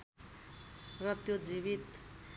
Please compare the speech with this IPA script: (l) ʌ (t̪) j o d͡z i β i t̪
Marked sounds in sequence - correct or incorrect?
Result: incorrect, correct

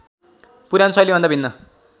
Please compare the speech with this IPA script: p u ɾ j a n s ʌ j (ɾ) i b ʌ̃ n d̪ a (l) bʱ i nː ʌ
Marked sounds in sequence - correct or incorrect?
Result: incorrect, incorrect

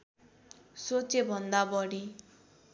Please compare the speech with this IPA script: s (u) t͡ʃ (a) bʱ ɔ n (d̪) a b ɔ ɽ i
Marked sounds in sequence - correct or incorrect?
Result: incorrect, incorrect, correct

